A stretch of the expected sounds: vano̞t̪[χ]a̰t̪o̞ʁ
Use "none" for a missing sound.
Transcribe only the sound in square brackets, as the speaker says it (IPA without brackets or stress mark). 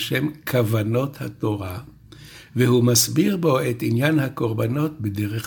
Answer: h